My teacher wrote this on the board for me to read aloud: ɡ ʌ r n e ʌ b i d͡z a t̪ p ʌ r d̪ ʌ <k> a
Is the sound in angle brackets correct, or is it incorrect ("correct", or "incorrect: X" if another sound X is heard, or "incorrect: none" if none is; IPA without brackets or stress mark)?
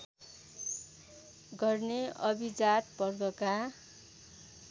correct